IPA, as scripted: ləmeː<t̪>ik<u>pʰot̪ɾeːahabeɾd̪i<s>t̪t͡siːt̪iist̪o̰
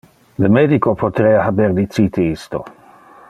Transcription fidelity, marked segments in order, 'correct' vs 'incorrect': incorrect: d̪, incorrect: o, incorrect: none

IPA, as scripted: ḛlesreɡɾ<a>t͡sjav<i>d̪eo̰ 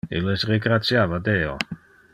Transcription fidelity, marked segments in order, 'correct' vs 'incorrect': correct, incorrect: a

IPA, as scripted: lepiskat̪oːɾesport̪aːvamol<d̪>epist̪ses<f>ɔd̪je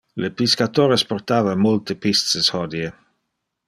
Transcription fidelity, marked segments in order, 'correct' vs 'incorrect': incorrect: t̪, incorrect: h

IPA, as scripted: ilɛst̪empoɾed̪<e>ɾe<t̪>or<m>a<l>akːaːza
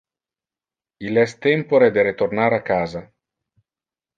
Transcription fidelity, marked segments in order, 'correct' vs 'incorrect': correct, correct, incorrect: n, incorrect: ɾ

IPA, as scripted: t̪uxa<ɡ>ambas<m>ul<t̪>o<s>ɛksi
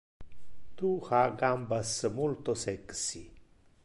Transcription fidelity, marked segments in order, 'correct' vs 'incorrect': correct, correct, correct, correct

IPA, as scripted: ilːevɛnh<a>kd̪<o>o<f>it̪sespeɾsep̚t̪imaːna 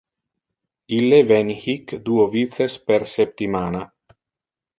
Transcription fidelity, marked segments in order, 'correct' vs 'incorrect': incorrect: i, incorrect: u, incorrect: v

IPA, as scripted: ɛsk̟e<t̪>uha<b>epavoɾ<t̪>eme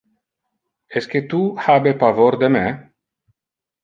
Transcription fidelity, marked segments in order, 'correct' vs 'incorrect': correct, correct, incorrect: d̪

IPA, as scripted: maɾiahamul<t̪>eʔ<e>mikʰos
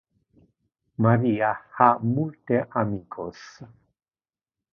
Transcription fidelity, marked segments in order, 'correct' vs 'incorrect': correct, incorrect: a

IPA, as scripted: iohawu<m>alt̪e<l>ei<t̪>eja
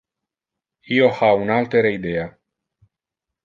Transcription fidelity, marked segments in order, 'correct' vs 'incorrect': incorrect: n, incorrect: ɾ, incorrect: d̪

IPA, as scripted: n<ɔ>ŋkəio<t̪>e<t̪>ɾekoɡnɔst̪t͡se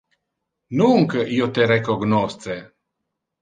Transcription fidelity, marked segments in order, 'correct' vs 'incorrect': incorrect: u, correct, incorrect: none

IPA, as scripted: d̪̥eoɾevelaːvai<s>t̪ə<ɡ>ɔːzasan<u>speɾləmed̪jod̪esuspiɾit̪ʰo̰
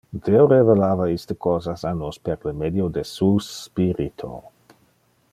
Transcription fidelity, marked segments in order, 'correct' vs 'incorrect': correct, incorrect: k, incorrect: o

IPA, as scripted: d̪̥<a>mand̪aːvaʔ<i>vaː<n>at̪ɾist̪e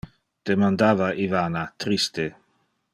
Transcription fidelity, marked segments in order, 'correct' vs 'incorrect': incorrect: e, correct, correct

